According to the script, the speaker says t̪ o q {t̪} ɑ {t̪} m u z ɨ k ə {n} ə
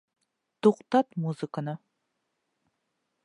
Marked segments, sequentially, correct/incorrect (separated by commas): correct, correct, correct